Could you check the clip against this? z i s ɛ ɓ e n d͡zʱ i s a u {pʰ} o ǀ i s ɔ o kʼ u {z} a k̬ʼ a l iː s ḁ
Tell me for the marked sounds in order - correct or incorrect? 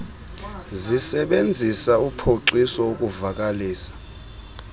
correct, incorrect

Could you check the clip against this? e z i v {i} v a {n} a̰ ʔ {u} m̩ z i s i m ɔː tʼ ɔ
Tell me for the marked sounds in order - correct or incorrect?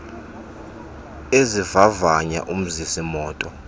incorrect, incorrect, correct

